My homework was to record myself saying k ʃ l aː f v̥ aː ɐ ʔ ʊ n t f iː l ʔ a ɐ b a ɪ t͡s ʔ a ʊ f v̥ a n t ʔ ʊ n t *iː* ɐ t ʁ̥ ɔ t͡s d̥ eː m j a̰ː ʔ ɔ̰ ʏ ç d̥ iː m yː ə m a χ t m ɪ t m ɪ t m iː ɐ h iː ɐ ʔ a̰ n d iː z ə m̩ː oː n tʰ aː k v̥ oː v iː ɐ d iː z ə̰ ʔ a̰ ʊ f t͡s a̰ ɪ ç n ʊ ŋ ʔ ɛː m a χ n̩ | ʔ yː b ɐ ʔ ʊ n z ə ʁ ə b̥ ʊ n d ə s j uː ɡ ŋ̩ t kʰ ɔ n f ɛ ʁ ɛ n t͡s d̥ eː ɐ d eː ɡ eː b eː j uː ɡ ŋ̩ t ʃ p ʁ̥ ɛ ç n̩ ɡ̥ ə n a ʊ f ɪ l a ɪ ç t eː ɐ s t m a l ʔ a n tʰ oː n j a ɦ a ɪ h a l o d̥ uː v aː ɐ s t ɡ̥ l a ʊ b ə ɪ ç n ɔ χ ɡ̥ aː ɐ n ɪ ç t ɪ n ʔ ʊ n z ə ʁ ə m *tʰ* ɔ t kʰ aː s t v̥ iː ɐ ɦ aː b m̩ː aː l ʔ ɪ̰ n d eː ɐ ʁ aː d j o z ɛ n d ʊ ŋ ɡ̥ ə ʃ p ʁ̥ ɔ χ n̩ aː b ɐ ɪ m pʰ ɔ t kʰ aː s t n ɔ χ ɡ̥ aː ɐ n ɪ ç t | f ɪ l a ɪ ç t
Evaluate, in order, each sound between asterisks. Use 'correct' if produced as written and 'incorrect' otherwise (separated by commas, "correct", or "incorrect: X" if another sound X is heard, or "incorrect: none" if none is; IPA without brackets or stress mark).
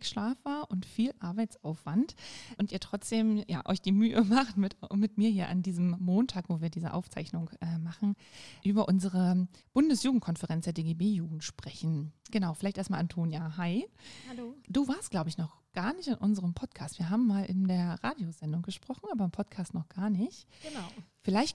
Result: correct, incorrect: pʰ